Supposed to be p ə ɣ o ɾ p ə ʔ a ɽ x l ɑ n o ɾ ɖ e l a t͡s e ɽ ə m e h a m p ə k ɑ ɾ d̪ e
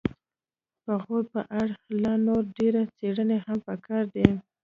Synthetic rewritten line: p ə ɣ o ɾ p ə ʔ a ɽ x l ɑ n o ɾ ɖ e ɾ a t͡s e ɽ ə n e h a m p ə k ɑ ɾ d̪ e